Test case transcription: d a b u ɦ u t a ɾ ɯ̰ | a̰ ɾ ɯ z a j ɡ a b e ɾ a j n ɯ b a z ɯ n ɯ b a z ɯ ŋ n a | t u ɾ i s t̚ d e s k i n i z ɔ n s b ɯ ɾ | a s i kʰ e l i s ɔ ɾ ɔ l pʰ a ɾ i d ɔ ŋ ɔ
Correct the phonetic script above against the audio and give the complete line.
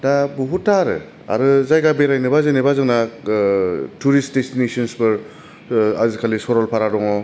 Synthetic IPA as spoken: d a b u ɦ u t a ɾ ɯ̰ | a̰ ɾ ɯ z a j ɡ a b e ɾ a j n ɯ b a z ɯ n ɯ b a z ɯ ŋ n a | t u ɾ i s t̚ d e s t i n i s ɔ n s b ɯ ɾ | a z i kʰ a l i s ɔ ɾ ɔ l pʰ a ɾ a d ɔ ŋ ɔ

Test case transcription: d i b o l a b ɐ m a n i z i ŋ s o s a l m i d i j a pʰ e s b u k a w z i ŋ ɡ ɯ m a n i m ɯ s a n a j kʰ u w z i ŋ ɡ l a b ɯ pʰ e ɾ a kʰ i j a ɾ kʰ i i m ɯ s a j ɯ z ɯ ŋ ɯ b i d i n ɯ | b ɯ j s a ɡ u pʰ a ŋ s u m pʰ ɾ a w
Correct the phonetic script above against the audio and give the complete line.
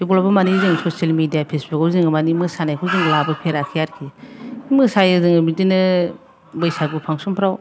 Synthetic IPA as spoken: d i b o l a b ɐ m a n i z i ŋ s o s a l m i d i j a pʰ e s b u k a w z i ŋ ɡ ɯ m a n i m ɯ s a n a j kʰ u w z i ŋ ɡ l a b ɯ pʰ e ɾ a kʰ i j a ɾ kʰ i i m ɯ s a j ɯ z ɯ ŋ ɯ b i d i n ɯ | b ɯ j s a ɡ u pʰ a ŋ s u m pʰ ɾ a w

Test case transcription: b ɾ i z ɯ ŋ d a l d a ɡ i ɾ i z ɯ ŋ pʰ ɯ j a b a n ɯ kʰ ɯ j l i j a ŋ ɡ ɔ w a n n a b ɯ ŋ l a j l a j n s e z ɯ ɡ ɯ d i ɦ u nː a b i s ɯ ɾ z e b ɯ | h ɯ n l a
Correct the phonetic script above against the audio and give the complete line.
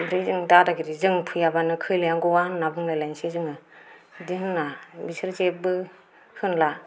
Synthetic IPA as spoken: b ɾ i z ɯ ŋ d a d a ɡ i ɾ i z ɯ ŋ pʰ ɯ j a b a n ɯ kʰ ɯ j l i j a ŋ ɡ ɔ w a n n a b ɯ ŋ l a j l a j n s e z ɯ ŋ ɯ d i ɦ ɯ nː a b i s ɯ ɾ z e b ɯ | h ɯ n l a

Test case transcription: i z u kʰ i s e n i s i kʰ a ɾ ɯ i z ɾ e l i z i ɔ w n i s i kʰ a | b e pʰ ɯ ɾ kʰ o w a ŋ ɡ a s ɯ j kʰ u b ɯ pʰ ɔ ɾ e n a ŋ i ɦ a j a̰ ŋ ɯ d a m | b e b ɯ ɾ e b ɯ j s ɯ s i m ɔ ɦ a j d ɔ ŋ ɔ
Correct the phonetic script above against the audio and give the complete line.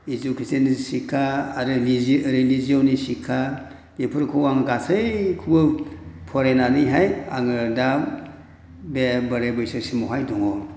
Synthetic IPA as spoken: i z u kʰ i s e n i s i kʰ a ɾ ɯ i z ɾ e l i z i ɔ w n i s i kʰ a | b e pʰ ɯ ɾ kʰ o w a ŋ ɡ a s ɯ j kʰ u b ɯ pʰ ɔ ɾ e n a n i ɦ a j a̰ ŋ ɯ d a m | b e b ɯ ɾ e b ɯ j s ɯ s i m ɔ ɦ a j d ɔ ŋ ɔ

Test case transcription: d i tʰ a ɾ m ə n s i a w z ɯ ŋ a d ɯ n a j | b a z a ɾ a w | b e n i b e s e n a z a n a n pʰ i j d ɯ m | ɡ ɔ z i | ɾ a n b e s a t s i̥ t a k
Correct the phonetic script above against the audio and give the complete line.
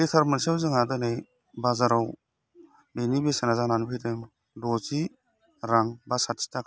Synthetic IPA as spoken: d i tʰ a ɾ m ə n s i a w z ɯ ŋ a d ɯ n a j | b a z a ɾ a w | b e n i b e s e n a z a n a n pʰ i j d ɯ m | d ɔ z i | ɾ a ŋ b a s a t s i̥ t a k

